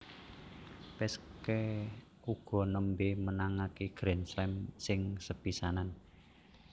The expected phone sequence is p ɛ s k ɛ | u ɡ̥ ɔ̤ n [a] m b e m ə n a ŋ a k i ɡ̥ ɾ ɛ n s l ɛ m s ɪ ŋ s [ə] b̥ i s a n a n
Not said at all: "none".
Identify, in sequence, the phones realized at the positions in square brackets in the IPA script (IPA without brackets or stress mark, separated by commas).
ə, ə